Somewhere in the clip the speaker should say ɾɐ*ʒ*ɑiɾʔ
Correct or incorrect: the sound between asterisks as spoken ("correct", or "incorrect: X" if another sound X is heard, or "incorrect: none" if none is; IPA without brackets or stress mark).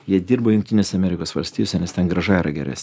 correct